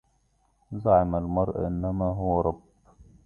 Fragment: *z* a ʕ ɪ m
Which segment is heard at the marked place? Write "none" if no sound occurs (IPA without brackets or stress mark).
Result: z